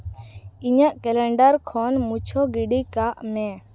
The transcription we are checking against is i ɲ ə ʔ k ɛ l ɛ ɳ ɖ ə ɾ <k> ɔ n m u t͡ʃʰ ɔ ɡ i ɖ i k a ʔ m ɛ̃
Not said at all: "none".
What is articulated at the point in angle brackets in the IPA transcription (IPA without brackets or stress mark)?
kʰ